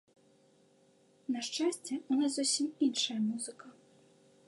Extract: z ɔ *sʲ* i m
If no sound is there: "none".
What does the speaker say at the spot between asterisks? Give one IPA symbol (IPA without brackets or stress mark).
sʲ